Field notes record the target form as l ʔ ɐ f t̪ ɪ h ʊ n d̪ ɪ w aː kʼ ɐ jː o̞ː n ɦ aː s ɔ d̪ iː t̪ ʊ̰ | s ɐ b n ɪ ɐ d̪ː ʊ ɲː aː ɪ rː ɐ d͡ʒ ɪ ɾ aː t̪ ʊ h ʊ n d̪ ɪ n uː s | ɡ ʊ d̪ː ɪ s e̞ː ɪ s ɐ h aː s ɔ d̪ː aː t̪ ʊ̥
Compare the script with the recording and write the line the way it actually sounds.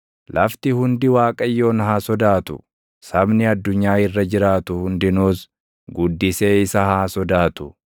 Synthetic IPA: l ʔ ɐ f t̪ ɪ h ʊ n d̪ ɪ w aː kʼ ɐ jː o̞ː n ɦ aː s ɔ d̪ aː t̪ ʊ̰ | s ɐ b n ɪ ɐ d̪ː ʊ ɲː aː ɪ rː ɐ d͡ʒ ɪ ɾ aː t̪ ʊ h ʊ n d̪ ɪ n uː s | ɡ ʊ d̪ː ɪ s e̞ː ɪ s ɐ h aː s ɔ d̪ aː t̪ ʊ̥